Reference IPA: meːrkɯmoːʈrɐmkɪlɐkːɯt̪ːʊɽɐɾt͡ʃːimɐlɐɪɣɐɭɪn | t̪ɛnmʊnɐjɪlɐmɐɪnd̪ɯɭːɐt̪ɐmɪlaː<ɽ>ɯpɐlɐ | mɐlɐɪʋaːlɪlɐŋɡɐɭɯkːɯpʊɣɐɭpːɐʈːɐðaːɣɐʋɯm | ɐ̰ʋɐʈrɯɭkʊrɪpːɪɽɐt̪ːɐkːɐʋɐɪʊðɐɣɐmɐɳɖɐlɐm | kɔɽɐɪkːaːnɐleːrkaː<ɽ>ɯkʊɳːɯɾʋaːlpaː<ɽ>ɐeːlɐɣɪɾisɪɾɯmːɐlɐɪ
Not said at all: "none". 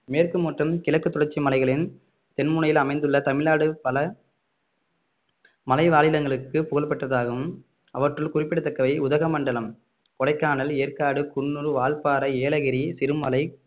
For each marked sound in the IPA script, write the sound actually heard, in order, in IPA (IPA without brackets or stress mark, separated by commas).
ɽ, ɽ, ɾ